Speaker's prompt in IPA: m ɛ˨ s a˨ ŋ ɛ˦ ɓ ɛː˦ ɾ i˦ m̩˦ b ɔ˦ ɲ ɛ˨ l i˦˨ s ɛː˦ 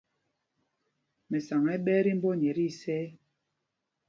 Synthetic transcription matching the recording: m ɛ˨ s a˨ ŋ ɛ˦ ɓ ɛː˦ ɾ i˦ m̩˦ b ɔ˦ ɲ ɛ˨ ɾ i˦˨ s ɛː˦